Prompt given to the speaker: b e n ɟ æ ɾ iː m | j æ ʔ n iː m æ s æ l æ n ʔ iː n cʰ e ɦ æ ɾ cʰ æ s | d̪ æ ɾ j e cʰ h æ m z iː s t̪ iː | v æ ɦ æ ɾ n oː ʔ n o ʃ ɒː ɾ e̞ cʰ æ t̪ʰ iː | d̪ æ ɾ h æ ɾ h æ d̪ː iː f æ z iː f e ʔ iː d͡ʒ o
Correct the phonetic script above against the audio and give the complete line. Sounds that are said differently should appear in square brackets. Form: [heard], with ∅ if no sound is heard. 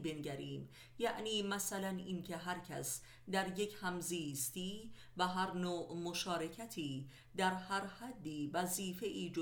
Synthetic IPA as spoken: b e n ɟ æ ɾ iː m | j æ ʔ n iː m æ s æ l æ n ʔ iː n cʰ e ɦ æ ɾ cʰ æ s | d̪ æ ɾ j e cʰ h æ m z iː s t̪ iː | v æ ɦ æ ɾ n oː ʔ [m] o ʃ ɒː ɾ e̞ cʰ æ t̪ʰ iː | d̪ æ ɾ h æ ɾ h æ d̪ː iː [v] æ z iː f e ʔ iː d͡ʒ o